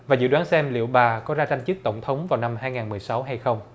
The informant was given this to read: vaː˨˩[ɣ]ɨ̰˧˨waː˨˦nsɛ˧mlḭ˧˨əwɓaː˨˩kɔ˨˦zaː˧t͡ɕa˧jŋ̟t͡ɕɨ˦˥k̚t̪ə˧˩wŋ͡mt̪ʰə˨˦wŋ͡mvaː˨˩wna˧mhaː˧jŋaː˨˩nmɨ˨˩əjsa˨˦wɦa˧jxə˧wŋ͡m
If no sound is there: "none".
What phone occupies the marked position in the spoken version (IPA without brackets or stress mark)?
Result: z